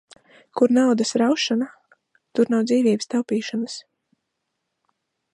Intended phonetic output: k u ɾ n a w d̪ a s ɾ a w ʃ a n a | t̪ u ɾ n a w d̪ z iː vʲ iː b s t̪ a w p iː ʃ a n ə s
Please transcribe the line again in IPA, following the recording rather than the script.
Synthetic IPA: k u ɾ n a w d̪ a s ɾ a w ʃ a n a | t̪ u ɾ n a w d̪ z iː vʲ iː b s t̪ a w p iː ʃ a n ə s

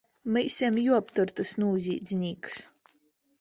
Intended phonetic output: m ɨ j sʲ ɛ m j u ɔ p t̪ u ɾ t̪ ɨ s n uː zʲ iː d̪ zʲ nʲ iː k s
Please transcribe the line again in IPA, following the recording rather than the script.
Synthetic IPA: m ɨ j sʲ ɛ m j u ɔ p t̪ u ɾ t̪ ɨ s n uː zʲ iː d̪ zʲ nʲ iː k s

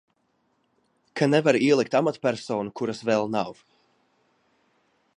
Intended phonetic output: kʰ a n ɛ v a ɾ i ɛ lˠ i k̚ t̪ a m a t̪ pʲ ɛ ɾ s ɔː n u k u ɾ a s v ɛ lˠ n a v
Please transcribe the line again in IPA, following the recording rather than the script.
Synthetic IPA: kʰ a n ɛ v a ɾ i ɛ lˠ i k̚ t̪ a m a t̪ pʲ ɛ ɾ s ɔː n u k u ɾ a s v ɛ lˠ n a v

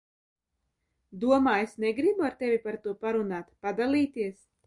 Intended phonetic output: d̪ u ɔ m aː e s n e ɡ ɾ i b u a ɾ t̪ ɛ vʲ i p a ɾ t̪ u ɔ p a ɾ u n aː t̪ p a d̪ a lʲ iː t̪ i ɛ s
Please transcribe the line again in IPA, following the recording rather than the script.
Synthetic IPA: d̪ u ɔ m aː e s n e ɡ ɾ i b u a ɾ t̪ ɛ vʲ i p a ɾ t̪ u ɔ p a ɾ u n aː t̪ p a d̪ a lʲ iː t̪ i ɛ s

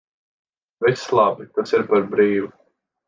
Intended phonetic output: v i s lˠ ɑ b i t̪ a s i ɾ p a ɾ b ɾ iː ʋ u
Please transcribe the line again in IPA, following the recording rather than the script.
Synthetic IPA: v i s lˠ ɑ b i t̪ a s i ɾ p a ɾ b ɾ iː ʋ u

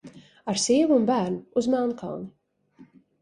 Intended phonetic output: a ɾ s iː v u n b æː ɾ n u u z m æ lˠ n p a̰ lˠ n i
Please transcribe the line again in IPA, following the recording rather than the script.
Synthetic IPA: a ɾ s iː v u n b æː ɾ n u u z m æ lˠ n k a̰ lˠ n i

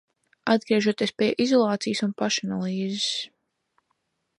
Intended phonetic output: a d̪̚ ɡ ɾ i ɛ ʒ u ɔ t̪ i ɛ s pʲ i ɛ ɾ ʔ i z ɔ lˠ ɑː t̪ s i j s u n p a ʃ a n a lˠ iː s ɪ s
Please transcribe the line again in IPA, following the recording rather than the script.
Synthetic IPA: a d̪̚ ɡ ɾ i ɛ ʒ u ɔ t̪ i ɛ s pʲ i ɛ ʔ i z ɔ lˠ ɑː t̪ s i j s u n p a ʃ a n a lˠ iː z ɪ s

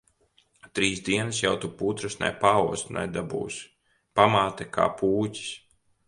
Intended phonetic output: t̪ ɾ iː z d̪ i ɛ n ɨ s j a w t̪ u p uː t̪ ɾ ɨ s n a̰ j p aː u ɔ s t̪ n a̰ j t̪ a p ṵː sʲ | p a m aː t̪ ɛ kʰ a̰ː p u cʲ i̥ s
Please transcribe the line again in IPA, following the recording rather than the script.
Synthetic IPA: t̪ ɾ iː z d̪ i ɛ n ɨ s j a w t̪ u p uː t̪ ɾ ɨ s n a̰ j p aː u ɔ s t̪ n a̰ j d̪ a b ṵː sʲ | p a m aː t̪ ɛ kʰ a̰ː p uː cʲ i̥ s

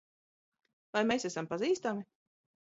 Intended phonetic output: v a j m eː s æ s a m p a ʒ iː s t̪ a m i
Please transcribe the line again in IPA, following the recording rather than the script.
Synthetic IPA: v a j m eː s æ s a m p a z iː s t̪ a m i

